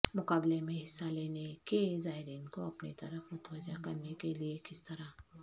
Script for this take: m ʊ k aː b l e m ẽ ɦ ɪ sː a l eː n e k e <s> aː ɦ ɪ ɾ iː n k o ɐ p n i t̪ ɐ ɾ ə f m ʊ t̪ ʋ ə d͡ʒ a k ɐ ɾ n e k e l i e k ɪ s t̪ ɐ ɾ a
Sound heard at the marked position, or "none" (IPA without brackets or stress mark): z